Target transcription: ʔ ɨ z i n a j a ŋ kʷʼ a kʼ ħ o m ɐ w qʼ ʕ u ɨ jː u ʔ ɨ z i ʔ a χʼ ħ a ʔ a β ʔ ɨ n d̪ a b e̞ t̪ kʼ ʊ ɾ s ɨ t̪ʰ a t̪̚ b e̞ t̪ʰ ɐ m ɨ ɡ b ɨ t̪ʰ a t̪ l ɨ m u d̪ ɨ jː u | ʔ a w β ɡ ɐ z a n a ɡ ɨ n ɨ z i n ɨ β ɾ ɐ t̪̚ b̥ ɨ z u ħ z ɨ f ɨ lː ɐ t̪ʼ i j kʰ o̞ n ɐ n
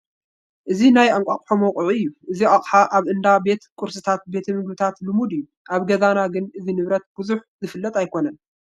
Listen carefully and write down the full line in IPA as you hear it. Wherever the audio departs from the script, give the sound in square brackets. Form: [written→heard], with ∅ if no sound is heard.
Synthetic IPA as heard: ʔ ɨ z i n a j a ŋ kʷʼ a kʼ ħ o m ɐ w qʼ ʕ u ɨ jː u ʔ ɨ z i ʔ a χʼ ħ a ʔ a β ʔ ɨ n d̪ a b e̞ t̪ kʼ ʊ ɾ s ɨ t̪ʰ a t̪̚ b e̞ t̪ʰ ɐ m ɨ ɡ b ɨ t̪ʰ a t̪ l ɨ m u d̪ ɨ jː u | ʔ a [w→∅] β ɡ ɐ z a n a ɡ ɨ n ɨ z i n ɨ β ɾ ɐ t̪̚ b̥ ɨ z u ħ z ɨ f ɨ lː ɐ t̪ʼ [i→a] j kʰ o̞ n ɐ n

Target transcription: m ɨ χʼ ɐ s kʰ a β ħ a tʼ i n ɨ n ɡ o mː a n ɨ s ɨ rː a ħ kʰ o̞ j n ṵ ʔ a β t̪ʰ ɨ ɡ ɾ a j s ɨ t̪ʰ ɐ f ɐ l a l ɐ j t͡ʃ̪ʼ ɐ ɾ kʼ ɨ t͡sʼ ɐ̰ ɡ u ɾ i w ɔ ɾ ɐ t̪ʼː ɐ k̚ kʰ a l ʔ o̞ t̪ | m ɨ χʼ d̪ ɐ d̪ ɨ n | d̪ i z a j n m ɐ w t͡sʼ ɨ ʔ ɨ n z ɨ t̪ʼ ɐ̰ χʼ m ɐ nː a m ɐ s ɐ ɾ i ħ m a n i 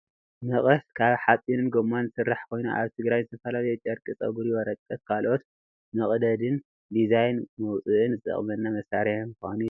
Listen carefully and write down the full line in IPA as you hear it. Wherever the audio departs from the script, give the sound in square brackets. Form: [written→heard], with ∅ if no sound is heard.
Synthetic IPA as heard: m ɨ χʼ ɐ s kʰ a β ħ a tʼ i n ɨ n ɡ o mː a n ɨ s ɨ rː a ħ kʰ o̞ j n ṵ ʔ a β t̪ʰ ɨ ɡ ɾ a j [s→z] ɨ t̪ʰ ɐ f ɐ l a l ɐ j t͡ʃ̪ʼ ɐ ɾ kʼ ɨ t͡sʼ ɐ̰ ɡ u ɾ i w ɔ ɾ ɐ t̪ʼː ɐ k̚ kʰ a l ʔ o̞ t̪ | m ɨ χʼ d̪ ɐ d̪ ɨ n | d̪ i z a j n m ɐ w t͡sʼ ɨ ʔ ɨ n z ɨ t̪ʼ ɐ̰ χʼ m ɐ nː a m ɐ s [ɐ→a] ɾ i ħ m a n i

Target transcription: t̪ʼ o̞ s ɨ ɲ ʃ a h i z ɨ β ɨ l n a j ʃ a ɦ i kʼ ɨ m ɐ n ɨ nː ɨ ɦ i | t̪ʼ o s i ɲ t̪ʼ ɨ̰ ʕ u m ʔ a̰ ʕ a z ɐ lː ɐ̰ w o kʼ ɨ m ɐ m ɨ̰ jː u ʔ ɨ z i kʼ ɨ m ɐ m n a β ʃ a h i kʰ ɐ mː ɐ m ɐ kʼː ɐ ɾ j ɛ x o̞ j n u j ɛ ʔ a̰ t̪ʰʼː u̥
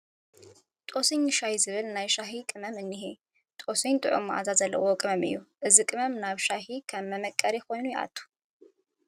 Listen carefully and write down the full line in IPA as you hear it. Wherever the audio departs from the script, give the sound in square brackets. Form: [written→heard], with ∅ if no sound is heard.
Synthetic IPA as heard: t̪ʼ o̞ s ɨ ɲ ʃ a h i z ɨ β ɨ l n a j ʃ a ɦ i kʼ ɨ m ɐ [n→m] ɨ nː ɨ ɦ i | t̪ʼ o s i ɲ t̪ʼ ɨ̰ ʕ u m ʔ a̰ [ʕ→z] a z ɐ lː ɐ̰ w o kʼ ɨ m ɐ m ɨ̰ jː u ʔ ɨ z i kʼ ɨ m ɐ m n a β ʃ a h i kʰ ɐ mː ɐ m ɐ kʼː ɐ ɾ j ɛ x o̞ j n u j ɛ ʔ a̰ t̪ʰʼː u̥

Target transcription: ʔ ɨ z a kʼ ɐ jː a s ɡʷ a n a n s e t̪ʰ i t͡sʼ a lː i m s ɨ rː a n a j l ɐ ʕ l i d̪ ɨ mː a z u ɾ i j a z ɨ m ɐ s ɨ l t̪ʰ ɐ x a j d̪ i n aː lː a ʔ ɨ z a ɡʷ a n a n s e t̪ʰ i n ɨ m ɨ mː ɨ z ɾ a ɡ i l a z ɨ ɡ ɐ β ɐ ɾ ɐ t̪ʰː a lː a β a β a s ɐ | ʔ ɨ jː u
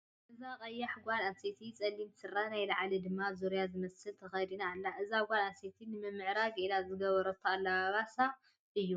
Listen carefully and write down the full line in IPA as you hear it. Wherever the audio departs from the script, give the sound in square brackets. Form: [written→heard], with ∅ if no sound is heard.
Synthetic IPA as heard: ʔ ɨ z a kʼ ɐ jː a [s→ħ] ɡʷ a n a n s e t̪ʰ i t͡sʼ [a→ɐ] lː i m s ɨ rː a n a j l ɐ ʕ l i d̪ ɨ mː a z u ɾ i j a z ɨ m ɐ s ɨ l t̪ʰ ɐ x [a→ɐ] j d̪ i n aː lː a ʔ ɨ z a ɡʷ a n a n s e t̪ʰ i n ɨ m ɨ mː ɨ [z→ʕ] ɾ a ɡ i l a z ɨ ɡ ɐ β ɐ ɾ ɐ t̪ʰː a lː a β a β a s [ɐ→a] | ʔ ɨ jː u

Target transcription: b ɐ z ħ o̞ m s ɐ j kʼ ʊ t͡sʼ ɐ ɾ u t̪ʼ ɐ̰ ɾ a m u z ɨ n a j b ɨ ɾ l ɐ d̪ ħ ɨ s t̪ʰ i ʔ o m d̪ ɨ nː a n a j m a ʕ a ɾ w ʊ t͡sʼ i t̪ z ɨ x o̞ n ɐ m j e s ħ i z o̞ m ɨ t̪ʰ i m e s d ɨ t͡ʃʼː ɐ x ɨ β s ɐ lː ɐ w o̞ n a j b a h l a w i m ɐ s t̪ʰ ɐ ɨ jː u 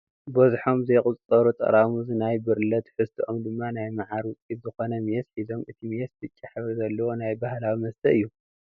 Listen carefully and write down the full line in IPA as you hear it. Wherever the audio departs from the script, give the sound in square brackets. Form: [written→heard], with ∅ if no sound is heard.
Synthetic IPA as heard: b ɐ z ħ o̞ m [s→z] ɐ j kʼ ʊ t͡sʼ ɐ ɾ u t̪ʼ ɐ̰ ɾ a m u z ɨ n a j b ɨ ɾ l ɐ [d̪→t̪] ħ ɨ s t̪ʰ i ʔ o m d̪ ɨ [nː→mː] a n a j m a ʕ a ɾ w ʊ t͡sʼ i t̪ z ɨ x o̞ n ɐ m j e s ħ i z o̞ m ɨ t̪ʰ i m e s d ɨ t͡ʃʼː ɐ [x→ħ] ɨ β [s→z] ɐ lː ɐ w o̞ n a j b a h l a w i m ɐ s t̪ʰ ɐ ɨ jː u

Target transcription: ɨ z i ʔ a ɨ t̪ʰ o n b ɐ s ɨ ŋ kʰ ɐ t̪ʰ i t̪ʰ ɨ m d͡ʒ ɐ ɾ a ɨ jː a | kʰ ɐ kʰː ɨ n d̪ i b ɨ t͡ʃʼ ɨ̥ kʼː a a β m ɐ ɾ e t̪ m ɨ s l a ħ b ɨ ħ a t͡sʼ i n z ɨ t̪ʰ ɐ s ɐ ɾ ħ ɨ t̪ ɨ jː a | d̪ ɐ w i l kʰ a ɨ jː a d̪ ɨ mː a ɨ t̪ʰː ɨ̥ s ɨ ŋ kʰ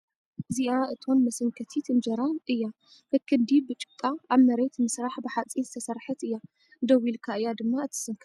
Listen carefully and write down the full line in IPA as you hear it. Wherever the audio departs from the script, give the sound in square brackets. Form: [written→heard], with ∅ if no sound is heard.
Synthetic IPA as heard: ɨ z i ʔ a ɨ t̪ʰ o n [b→m] ɐ s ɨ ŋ kʰ ɐ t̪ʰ i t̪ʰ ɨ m d͡ʒ ɐ ɾ a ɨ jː a | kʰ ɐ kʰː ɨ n d̪ i b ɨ t͡ʃʼ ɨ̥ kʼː a a β m ɐ ɾ e t̪ m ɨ s [l→ɾ] a ħ b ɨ ħ a t͡sʼ i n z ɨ t̪ʰ ɐ s ɐ ɾ ħ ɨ t̪ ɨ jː a | d̪ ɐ w i l kʰ a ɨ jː a d̪ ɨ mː a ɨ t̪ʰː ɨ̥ s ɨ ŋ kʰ

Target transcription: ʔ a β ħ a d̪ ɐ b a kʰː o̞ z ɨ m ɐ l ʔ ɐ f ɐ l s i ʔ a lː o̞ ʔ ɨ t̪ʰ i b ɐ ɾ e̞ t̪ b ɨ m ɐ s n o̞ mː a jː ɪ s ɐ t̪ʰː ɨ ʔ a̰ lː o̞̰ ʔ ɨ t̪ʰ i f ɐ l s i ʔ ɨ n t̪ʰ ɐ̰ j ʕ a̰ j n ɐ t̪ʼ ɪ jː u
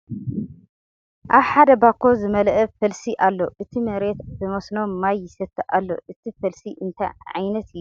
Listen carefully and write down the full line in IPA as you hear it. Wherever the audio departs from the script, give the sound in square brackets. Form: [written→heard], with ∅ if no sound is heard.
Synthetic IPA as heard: ʔ a β ħ a d̪ ɐ b a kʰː o̞ z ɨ m ɐ l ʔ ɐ f ɐ l s i ʔ a lː o̞ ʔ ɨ t̪ʰ i [b→m] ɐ ɾ e̞ t̪ b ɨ m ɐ s n o̞ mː a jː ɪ s ɐ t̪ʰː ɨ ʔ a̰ lː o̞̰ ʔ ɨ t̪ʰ i f ɐ l s i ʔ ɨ n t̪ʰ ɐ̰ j ʕ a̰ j n ɐ [t̪ʼ→t̪] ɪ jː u

